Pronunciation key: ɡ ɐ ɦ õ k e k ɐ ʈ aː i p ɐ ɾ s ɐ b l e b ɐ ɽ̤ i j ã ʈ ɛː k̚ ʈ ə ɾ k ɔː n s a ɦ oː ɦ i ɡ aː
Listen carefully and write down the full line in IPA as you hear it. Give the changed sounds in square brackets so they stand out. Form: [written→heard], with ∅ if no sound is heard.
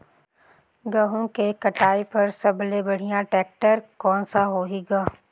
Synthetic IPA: ɡ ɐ ɦ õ k e k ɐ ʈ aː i p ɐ ɾ s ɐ b l e b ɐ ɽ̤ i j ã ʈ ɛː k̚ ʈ ə ɾ k ɔː n s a ɦ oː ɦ i ɡ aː